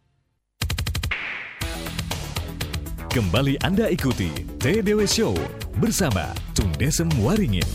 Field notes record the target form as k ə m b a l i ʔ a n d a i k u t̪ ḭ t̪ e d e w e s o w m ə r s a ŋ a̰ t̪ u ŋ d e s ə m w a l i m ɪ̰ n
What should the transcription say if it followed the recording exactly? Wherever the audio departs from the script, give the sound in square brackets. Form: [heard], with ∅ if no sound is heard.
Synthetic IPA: k ə m b a l i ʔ a n d a i k u t̪ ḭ t̪ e d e w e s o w [b] ə r s a [m] a̰ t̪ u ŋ d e s ə m w a [ɾ] i [ŋ] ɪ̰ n